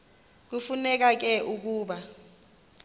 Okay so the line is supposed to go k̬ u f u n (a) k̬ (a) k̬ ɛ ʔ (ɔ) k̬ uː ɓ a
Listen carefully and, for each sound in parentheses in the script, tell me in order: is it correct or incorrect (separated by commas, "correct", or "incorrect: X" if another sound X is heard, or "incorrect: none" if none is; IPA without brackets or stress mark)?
incorrect: ɛ, correct, incorrect: u